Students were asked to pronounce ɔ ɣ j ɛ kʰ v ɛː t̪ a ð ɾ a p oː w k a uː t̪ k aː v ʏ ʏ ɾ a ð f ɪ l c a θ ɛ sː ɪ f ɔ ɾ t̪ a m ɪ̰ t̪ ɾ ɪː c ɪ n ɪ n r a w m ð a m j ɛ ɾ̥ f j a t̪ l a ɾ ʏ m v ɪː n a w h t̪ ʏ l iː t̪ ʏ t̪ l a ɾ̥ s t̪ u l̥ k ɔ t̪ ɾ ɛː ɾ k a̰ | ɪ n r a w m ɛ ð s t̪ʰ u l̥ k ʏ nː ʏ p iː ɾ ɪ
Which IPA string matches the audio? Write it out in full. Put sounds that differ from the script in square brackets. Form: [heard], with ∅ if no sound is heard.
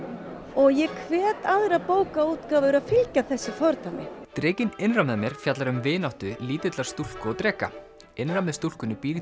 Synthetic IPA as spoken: ɔ ɣ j ɛ kʰ v ɛː t̪ a ð ɾ a p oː w k a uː t̪ k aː v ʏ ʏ ɾ a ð f ɪ l c a θ ɛ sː ɪ f ɔ ɾ t̪ a m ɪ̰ t̪ ɾ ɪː c ɪ n ɪ n r a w m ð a m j ɛ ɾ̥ f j a t̪ l a ɾ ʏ m v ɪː n a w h t̪ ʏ l iː t̪ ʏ t̪ l a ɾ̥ s t̪ u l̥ k ɔ t̪ ɾ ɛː [∅] k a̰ | ɪ n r a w m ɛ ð s [t̪] u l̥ k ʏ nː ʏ p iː ɾ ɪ